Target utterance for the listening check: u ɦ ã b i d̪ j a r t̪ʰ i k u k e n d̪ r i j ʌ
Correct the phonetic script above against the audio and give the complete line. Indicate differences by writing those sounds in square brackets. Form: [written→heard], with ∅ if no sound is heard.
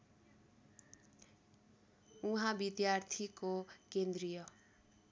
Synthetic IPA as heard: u ɦ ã b i d̪ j a r t̪ʰ i k [u→o] k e n d̪ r i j ʌ